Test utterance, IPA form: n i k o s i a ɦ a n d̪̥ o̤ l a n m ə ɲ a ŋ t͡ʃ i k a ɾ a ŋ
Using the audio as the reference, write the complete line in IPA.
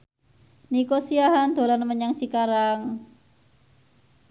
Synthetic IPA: n i k o s i a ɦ a n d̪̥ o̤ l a n m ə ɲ a ŋ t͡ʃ i k a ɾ a ŋ